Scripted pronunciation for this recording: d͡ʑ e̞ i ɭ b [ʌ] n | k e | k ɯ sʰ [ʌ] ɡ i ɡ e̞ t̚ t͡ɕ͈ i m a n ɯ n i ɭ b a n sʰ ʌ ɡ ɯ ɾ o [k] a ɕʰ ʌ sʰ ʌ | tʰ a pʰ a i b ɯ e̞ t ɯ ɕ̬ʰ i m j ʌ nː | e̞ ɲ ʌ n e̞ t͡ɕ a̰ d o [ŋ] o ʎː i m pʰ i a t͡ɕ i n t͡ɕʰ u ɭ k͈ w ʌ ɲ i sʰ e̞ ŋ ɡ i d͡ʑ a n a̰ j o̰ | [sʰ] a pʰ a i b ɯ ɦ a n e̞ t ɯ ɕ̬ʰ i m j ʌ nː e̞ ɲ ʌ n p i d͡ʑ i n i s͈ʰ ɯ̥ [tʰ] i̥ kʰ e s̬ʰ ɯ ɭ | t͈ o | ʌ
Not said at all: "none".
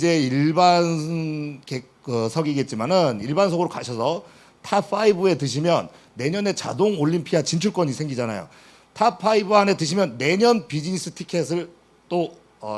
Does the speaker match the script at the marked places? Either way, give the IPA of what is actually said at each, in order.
a, ʌ, k, ŋ, tʰ, tʰ

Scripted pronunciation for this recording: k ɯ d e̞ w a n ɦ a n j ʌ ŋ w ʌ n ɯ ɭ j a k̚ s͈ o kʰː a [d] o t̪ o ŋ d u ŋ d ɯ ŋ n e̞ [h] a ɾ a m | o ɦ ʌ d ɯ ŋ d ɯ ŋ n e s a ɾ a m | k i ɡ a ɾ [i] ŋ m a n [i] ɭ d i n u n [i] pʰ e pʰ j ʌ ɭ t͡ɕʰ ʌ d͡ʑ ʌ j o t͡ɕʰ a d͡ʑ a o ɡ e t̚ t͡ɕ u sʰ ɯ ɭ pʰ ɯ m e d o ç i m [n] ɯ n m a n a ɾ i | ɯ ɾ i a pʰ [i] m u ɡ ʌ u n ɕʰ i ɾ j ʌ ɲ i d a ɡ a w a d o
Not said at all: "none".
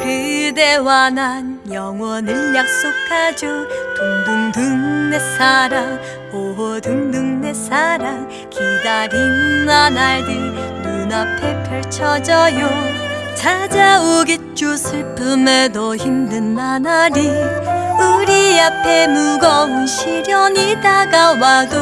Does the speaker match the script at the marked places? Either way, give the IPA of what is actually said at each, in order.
d͡ʑ, s, i, a, a, d, e

